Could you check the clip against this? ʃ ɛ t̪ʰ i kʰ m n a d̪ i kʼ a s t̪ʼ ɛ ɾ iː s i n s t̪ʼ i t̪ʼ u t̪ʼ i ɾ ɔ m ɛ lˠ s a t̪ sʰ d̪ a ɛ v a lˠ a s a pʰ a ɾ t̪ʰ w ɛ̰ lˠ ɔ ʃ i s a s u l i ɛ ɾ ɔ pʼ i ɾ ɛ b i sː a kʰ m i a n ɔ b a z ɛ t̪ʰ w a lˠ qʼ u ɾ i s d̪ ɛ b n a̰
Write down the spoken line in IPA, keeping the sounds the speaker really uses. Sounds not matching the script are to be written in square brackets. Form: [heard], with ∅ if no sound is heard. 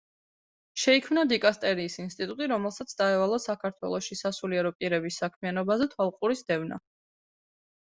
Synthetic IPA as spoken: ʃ ɛ [∅] i kʰ m n a d̪ i kʼ a s t̪ʼ ɛ ɾ iː s i n s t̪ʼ i t̪ʼ u t̪ʼ i ɾ ɔ m ɛ lˠ s a t̪ sʰ d̪ a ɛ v a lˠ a s a [kʰ] a ɾ t̪ʰ w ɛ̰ lˠ ɔ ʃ i s a s u l i ɛ ɾ ɔ pʼ i ɾ ɛ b i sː a kʰ m i a n ɔ b a z ɛ t̪ʰ w a lˠ qʼ u ɾ i s d̪ ɛ [v] n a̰